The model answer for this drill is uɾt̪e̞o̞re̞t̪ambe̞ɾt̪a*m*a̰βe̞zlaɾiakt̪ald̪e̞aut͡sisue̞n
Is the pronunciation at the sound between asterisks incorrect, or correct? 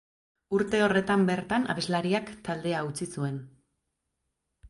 incorrect: n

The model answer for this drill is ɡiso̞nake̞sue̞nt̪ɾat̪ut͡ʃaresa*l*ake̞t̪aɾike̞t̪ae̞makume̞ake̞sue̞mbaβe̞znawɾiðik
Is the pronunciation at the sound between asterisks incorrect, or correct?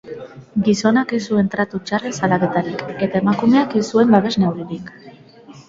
correct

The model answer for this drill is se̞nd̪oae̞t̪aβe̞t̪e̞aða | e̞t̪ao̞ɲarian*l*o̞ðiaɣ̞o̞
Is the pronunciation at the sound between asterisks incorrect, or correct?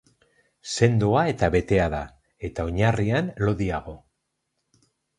correct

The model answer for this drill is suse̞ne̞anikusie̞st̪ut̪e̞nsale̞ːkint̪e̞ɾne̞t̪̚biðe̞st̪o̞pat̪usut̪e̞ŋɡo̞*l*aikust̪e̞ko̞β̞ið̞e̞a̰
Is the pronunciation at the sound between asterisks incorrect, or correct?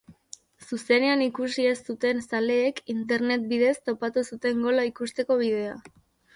correct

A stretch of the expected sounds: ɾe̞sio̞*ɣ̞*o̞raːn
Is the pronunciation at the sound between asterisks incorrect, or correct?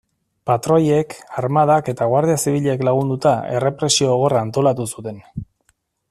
correct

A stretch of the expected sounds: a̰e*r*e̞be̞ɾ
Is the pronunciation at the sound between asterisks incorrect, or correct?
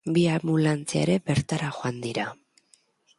incorrect: ɾ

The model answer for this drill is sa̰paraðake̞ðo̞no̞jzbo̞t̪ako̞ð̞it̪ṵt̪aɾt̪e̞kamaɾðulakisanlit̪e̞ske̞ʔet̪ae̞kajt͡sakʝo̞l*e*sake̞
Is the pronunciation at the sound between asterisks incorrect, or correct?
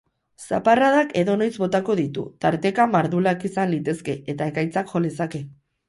correct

